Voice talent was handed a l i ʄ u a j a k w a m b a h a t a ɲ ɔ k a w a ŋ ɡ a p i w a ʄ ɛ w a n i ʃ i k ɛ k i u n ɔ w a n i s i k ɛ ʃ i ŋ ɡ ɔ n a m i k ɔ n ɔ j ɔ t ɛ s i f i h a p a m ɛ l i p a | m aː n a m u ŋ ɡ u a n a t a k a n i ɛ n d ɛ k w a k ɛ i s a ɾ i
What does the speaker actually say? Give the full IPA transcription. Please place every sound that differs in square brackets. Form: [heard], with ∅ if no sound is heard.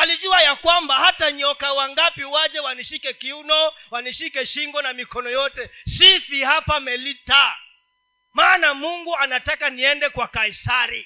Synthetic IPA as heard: a l i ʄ u a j a k w a m b a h a t a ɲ ɔ k a w a ŋ ɡ a p i w a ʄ ɛ w a n i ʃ i k ɛ k i u n ɔ w a n i [ʃ] i k ɛ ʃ i ŋ ɡ ɔ n a m i k ɔ n ɔ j ɔ t ɛ s i f i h a p a m ɛ l i [t] a | m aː n a m u ŋ ɡ u a n a t a k a n i ɛ n d ɛ k w a k [a] i s a ɾ i